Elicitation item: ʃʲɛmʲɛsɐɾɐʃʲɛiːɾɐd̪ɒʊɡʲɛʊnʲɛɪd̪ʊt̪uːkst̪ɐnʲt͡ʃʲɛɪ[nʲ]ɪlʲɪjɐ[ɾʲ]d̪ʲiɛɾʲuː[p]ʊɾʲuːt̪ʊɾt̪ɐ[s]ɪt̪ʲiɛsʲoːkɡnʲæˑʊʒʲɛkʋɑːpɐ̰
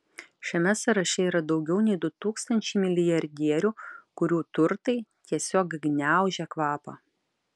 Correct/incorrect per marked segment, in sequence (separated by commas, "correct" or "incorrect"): incorrect, correct, incorrect, incorrect